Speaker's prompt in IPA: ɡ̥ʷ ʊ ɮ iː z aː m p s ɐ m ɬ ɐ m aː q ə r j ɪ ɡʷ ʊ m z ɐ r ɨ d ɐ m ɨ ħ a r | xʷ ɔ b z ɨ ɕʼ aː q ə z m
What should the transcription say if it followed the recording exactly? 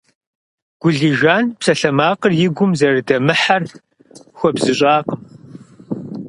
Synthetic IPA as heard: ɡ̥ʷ ʊ ɮ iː ʒ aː n p s ɐ ɬ ɐ m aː q ə r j ɪ ɡʷ ʊ m z ɐ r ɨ d ɐ m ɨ ħ a r | xʷ ɔ b z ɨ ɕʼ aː q ə m